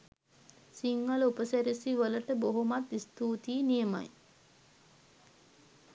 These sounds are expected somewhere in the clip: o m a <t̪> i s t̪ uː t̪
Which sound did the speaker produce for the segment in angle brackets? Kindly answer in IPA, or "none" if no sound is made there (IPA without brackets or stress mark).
t̪